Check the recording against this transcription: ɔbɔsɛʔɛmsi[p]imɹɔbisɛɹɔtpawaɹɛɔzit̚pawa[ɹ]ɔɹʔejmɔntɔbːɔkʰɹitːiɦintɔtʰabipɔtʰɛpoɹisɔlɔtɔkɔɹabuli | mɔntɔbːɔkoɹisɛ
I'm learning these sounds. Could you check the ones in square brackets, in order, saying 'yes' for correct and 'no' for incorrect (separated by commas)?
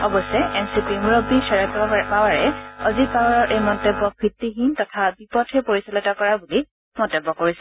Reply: yes, yes